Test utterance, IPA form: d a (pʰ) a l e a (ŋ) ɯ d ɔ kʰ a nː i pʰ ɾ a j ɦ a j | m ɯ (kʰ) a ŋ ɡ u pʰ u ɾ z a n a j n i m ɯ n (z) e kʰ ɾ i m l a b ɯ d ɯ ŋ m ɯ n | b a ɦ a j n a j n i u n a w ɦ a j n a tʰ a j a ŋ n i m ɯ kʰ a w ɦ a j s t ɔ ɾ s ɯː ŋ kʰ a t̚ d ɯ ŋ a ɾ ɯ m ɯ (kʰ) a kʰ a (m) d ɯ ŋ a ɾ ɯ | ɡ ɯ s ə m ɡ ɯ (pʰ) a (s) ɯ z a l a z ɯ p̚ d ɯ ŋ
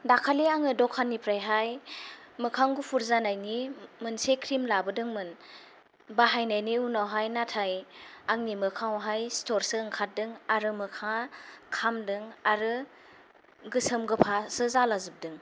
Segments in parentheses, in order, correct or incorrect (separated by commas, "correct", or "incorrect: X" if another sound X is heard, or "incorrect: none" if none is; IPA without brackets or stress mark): incorrect: kʰ, correct, correct, incorrect: s, correct, correct, correct, correct